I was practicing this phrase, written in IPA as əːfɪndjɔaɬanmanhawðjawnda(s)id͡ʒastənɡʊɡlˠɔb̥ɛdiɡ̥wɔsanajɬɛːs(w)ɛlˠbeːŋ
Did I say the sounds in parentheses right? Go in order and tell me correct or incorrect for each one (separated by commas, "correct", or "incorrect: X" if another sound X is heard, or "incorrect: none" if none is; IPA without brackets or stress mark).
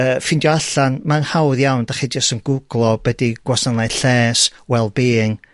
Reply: incorrect: χ, correct